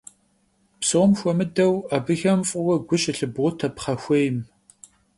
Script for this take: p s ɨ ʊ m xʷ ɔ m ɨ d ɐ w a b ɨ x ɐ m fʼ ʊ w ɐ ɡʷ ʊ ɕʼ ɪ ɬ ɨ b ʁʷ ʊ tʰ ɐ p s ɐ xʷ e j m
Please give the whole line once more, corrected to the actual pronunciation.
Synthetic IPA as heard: p s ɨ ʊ m xʷ ɔ m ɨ d ɐ w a b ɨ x ɐ m fʼ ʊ w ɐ ɡʷ ʊ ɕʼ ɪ ɬ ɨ b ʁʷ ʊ tʰ ɐ p χ ɐ xʷ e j m